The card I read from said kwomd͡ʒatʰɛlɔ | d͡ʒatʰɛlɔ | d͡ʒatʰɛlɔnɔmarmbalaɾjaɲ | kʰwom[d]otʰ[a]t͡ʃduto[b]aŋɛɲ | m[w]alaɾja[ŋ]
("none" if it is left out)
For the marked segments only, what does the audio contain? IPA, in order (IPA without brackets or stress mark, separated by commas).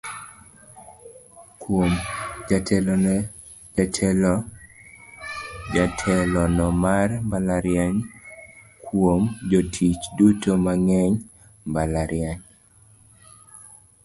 d͡ʒ, i, m, b, ɲ